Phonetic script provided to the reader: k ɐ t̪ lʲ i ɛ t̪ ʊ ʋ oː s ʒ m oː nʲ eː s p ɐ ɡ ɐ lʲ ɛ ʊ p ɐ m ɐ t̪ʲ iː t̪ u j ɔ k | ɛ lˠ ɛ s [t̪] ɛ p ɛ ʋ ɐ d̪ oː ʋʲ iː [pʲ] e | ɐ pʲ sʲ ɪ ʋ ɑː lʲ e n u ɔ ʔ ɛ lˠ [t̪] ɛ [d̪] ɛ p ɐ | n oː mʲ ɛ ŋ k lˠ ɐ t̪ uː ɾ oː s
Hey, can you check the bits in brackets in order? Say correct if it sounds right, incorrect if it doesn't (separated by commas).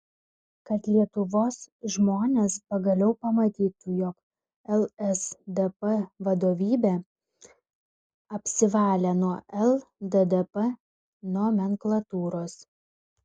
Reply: incorrect, incorrect, incorrect, correct